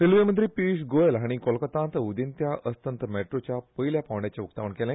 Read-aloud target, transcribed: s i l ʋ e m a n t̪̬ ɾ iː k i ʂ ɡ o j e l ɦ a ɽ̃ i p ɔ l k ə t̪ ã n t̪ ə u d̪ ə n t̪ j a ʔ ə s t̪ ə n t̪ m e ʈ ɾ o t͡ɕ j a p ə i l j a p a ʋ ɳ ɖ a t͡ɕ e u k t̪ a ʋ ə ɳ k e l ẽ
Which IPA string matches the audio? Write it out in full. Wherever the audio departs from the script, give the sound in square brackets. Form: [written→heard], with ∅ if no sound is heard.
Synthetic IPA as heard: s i l ʋ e m [a→ə] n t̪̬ ɾ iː [k→p] i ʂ ɡ o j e l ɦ a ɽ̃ i [p→k] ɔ l k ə t̪ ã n t̪ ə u d̪ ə n t̪ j a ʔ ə s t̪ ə n t̪ m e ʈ ɾ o t͡ɕ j a p ə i l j a p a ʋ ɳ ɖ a t͡ɕ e u k t̪ a ʋ ə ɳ k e l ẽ